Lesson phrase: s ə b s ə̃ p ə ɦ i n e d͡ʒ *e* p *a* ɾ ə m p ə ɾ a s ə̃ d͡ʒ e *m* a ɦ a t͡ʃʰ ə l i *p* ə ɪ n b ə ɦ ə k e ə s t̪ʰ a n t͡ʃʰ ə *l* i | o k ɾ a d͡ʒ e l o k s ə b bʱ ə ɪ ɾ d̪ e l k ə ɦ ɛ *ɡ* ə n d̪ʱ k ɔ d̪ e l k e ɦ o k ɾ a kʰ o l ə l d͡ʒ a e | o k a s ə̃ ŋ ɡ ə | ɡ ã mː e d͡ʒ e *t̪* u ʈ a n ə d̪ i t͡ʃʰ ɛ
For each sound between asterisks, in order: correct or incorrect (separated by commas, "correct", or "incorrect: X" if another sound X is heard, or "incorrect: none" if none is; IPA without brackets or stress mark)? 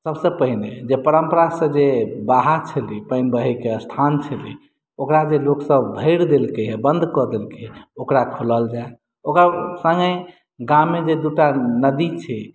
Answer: correct, incorrect: ə, incorrect: b, correct, correct, incorrect: b, incorrect: d̪